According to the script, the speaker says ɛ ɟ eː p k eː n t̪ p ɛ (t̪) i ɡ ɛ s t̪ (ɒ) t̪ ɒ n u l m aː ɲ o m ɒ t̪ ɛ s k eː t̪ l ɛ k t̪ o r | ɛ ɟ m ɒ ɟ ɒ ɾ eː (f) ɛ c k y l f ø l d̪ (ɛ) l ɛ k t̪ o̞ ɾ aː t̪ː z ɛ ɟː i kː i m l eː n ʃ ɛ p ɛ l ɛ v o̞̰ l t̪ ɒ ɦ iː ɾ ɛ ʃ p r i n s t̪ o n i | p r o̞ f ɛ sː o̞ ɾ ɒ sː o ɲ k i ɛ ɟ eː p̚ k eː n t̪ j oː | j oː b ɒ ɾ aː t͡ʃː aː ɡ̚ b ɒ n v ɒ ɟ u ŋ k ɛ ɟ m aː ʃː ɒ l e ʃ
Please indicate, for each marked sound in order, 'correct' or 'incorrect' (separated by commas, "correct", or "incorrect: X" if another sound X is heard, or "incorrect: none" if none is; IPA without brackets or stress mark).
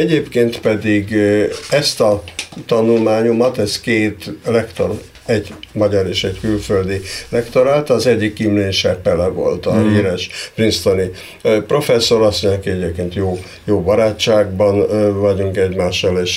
incorrect: d̪, correct, incorrect: ʃ, incorrect: i